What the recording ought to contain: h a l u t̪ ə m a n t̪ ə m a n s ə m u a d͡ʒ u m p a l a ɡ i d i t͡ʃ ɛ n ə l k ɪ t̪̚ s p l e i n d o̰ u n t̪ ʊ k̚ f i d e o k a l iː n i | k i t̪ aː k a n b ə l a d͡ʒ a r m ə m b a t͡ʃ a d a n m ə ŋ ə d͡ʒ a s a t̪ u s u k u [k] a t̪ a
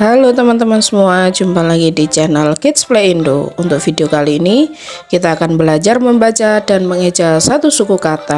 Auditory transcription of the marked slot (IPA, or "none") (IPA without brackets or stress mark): k